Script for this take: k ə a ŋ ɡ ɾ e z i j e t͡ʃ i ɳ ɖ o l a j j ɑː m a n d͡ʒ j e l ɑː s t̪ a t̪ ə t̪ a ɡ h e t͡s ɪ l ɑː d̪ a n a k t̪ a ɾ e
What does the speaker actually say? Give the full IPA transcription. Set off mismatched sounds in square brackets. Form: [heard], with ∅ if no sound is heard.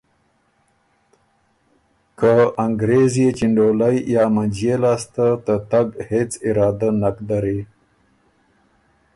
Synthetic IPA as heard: k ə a ŋ ɡ ɾ e z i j e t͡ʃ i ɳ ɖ o l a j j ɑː m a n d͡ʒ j e l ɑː s t̪ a t̪ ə t̪ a ɡ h e t͡s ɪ [ɾ] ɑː d̪ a n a k [d̪] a ɾ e